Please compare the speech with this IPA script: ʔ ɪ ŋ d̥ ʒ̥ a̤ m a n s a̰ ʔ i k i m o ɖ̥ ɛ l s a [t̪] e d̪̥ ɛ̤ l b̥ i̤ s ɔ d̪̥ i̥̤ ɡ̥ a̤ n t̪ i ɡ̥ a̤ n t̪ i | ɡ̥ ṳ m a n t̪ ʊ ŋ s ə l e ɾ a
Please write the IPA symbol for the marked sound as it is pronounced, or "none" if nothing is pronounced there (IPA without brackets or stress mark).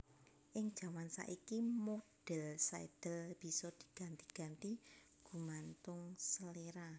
none